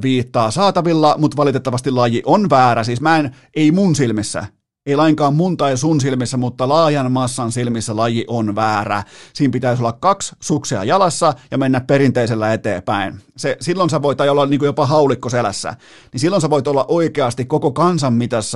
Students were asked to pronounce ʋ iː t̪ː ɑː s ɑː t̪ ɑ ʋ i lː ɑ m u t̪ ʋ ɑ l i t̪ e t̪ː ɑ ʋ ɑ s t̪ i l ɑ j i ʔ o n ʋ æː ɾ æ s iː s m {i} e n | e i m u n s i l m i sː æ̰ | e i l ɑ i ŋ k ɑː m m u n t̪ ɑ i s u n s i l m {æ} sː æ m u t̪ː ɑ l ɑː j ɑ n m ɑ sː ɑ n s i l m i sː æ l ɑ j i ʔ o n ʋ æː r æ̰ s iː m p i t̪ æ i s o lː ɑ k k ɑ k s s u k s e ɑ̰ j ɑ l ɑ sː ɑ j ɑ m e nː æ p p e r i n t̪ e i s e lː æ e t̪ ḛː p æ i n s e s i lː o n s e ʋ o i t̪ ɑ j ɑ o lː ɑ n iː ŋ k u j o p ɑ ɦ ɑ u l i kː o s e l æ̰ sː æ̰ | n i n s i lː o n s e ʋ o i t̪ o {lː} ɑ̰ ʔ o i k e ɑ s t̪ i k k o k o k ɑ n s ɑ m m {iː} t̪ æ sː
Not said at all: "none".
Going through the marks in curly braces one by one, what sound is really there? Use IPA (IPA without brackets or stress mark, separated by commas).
æ, i, lː, i